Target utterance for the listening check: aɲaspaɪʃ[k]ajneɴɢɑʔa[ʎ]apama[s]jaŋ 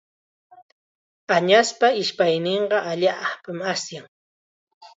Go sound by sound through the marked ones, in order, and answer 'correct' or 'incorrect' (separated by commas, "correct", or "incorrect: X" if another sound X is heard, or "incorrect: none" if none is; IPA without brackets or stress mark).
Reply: incorrect: p, correct, correct